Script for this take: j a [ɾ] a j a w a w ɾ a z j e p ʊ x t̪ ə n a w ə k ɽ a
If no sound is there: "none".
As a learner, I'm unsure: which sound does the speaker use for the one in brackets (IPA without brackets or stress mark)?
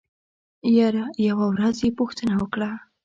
ɾ